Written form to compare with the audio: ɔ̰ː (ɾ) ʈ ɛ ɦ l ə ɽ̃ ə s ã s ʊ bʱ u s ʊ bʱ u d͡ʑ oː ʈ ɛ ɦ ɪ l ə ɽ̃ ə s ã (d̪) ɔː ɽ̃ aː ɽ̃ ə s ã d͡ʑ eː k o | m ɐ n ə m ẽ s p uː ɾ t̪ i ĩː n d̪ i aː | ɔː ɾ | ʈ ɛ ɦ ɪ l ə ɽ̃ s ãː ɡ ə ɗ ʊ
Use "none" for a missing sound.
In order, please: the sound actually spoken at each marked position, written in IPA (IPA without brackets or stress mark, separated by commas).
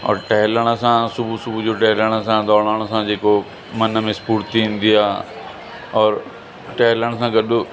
ɾ, d̪